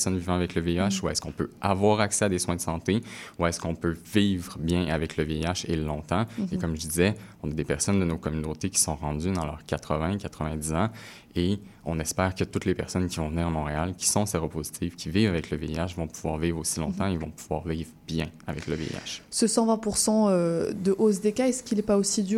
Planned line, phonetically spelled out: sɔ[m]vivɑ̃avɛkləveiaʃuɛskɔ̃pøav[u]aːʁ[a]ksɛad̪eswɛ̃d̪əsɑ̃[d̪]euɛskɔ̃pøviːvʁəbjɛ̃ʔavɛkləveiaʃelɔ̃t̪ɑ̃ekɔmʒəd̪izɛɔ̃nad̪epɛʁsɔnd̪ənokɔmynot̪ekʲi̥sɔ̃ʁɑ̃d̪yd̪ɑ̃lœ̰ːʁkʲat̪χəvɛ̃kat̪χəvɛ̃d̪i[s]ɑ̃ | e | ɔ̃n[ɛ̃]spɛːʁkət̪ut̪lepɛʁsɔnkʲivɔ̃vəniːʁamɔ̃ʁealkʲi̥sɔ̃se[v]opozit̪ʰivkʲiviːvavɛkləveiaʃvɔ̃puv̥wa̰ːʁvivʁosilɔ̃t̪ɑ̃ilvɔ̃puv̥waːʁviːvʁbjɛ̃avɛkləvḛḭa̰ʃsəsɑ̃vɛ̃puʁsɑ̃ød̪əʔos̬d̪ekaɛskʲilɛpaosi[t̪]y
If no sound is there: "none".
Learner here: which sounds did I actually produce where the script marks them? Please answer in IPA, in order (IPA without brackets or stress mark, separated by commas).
n, w, a, t̪, z, ɛ, ʁ, d̪